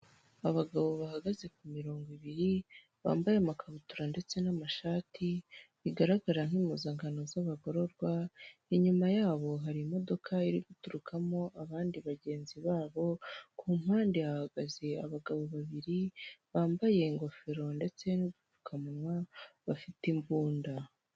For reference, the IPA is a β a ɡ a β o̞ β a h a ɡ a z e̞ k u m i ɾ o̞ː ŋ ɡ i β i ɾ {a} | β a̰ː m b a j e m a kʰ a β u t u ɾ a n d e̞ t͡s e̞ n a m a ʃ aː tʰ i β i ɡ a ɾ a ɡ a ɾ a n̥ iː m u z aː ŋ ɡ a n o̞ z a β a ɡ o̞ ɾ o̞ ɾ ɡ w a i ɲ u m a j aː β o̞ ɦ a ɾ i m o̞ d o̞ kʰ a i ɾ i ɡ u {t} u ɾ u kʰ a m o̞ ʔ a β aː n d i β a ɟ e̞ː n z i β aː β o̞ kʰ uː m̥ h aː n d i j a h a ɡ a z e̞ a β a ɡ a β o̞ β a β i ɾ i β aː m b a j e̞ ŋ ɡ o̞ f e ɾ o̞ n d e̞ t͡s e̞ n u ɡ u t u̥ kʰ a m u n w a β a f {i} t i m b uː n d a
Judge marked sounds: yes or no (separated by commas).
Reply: no, yes, yes